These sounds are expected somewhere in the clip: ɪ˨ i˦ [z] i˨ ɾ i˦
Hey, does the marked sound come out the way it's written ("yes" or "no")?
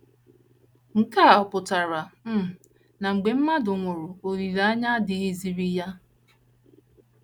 yes